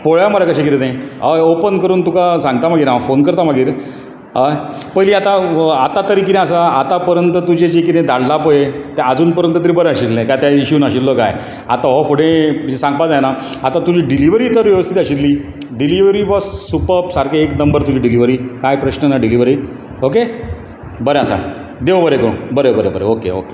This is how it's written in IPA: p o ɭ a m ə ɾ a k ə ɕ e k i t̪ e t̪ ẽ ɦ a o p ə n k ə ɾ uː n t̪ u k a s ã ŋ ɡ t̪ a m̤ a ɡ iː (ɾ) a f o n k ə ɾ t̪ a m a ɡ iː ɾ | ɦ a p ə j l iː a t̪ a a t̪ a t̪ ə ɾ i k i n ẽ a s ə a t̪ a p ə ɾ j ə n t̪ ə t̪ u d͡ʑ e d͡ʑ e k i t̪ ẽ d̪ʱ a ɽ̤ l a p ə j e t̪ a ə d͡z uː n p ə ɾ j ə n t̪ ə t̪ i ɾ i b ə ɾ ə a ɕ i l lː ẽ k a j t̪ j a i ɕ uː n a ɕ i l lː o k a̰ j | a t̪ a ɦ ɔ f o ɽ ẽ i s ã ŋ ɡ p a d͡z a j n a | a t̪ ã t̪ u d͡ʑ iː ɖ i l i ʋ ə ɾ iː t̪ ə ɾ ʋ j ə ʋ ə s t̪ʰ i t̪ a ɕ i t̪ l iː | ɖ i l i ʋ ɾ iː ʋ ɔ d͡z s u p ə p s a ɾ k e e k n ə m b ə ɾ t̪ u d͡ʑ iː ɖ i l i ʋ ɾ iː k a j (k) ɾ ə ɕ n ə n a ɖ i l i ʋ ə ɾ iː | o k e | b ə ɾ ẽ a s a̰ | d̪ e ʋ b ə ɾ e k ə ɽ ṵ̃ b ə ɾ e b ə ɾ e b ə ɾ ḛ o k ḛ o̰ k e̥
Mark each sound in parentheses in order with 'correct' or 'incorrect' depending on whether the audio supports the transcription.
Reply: correct, incorrect

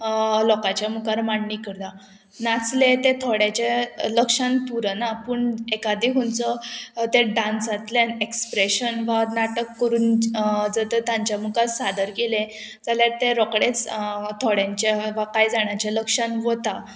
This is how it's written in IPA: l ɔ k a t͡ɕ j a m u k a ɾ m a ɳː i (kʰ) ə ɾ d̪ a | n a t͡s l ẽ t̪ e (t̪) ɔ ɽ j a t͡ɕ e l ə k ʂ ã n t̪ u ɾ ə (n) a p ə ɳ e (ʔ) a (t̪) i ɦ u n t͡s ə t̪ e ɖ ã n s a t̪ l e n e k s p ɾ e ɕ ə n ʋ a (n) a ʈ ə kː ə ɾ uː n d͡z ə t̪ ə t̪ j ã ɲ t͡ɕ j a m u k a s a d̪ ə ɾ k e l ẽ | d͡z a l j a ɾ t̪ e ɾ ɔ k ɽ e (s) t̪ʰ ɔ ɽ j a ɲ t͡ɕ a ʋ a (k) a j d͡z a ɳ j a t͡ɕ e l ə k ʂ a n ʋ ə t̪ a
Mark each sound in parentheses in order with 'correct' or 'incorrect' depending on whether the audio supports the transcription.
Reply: incorrect, incorrect, correct, incorrect, incorrect, correct, incorrect, correct

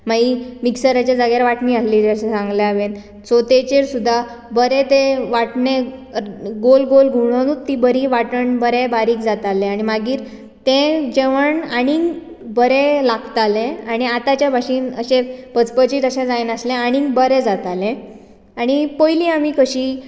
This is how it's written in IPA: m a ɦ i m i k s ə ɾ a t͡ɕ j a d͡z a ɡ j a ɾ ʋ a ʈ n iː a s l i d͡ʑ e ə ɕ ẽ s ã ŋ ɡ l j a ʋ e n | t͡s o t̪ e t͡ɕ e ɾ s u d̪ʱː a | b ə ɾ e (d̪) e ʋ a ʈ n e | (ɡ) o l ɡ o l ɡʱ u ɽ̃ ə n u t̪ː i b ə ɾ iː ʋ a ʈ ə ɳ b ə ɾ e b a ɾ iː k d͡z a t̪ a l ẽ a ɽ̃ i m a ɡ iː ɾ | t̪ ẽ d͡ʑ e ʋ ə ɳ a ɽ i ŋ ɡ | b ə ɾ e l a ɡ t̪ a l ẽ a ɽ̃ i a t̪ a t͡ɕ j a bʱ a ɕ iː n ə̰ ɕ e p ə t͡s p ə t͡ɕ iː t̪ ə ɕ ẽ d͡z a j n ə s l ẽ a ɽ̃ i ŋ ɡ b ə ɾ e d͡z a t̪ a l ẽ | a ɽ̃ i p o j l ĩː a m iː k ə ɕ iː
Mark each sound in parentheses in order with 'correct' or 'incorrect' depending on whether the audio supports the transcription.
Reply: incorrect, correct

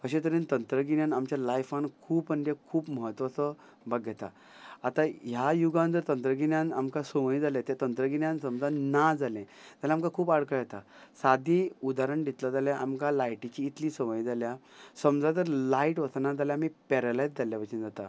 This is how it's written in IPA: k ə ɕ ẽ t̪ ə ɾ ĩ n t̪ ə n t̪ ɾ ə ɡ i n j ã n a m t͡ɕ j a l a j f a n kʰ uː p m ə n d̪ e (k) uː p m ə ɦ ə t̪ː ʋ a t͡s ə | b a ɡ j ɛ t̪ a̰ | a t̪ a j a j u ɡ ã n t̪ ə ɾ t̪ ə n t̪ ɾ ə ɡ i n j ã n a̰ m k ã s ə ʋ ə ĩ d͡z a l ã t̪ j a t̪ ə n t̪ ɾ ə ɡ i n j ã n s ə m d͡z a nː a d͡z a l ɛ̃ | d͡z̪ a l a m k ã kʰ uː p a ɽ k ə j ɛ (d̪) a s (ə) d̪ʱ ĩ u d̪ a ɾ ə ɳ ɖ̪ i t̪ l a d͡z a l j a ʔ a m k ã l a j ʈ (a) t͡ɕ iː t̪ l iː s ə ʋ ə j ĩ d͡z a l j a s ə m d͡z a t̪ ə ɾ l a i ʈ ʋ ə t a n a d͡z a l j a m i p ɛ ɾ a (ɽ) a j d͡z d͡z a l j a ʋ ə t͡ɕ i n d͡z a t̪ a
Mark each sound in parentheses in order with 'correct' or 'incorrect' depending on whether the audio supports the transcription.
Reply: incorrect, incorrect, incorrect, incorrect, incorrect

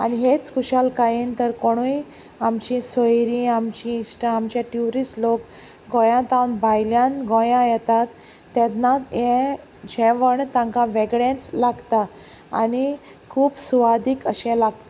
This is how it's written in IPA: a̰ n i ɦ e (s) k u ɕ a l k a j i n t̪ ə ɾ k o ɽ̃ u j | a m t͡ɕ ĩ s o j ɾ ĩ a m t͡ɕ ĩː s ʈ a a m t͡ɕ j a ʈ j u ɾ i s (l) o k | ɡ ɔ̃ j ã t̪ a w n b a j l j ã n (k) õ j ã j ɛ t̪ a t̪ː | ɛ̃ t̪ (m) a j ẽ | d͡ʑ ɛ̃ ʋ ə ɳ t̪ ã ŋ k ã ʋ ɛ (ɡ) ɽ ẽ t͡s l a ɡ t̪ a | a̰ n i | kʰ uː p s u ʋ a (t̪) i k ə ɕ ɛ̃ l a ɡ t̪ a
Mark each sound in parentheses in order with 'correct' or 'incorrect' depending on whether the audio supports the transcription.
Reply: incorrect, correct, incorrect, incorrect, correct, incorrect

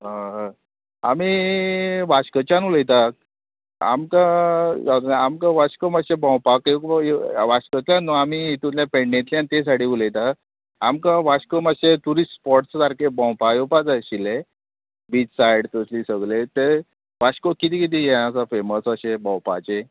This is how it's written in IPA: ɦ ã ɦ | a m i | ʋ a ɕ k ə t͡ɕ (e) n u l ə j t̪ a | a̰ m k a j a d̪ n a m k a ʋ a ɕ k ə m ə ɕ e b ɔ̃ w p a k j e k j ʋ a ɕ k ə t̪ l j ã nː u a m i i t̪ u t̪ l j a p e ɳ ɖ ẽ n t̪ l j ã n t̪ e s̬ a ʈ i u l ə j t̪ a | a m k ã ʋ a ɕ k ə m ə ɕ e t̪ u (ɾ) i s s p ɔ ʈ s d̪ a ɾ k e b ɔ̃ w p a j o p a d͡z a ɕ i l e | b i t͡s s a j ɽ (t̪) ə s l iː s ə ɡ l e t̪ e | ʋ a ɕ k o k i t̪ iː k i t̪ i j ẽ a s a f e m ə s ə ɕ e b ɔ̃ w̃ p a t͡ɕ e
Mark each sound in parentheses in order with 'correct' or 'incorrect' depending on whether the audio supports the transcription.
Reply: incorrect, correct, correct

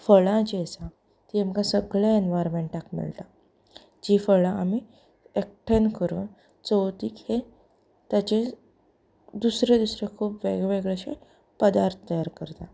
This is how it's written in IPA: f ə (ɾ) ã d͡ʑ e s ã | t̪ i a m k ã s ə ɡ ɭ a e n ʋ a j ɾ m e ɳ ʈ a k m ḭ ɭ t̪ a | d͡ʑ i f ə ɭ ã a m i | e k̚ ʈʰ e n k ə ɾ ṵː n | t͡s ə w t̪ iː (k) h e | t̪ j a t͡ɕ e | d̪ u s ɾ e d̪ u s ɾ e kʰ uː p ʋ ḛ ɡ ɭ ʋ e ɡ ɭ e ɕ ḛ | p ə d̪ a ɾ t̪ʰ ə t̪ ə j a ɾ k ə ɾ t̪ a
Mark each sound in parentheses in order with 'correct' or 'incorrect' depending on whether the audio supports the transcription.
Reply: incorrect, correct

